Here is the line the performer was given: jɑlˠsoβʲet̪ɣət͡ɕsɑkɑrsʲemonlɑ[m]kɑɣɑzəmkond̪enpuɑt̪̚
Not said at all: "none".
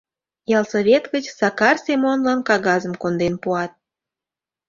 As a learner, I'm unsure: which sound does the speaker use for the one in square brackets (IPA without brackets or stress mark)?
n